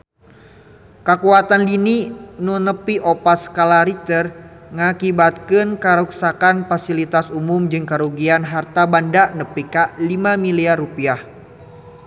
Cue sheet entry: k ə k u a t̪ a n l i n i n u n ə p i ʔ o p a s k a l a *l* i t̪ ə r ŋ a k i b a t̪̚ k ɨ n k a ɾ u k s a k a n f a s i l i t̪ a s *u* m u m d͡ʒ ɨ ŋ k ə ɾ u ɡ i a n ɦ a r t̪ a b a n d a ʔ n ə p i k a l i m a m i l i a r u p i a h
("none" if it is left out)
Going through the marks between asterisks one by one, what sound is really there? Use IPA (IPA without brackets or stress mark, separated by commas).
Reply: ɾ, u